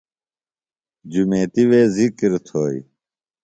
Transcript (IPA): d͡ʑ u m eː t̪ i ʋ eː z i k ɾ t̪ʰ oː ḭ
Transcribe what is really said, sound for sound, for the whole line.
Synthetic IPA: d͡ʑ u m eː t̪ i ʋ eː z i k ɾ t̪ʰ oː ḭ